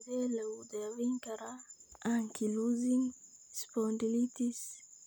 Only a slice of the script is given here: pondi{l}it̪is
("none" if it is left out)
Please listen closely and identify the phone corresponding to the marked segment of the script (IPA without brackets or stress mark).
l